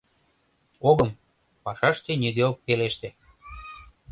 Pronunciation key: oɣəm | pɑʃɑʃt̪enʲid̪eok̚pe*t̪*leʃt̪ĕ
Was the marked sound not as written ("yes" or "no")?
yes